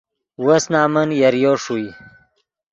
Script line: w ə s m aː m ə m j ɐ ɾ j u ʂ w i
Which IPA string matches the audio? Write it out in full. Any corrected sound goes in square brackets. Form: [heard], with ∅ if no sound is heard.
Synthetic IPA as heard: w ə s [n] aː m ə [n] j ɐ ɾ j [o] ʂ [u] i